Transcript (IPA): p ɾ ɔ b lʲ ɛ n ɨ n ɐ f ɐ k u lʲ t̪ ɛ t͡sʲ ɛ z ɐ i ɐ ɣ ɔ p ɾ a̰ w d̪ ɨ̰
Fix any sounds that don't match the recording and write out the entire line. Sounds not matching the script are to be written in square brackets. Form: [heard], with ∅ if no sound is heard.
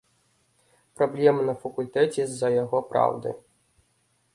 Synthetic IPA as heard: p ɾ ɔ b lʲ ɛ [m] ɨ n ɐ f ɐ k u lʲ t̪ ɛ t͡sʲ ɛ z ɐ [j] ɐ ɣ ɔ p ɾ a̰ w d̪ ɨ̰